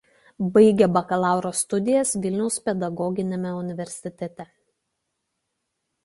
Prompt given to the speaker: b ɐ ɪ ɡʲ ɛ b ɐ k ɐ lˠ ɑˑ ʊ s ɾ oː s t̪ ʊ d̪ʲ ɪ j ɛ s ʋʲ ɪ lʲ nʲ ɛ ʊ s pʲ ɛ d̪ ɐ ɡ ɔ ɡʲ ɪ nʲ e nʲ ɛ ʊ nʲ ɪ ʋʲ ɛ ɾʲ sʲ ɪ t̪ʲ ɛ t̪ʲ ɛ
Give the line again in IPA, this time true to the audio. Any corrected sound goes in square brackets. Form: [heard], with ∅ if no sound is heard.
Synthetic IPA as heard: b ɐ ɪ ɡʲ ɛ b ɐ k ɐ lˠ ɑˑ ʊ [∅] ɾ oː s t̪ ʊ d̪ʲ ɪ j ɛ s ʋʲ ɪ lʲ nʲ ɛ ʊ s pʲ ɛ d̪ ɐ ɡ ɔ ɡʲ ɪ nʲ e [mʲ] ɛ ʊ nʲ ɪ ʋʲ ɛ ɾʲ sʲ ɪ t̪ʲ ɛ t̪ʲ ɛ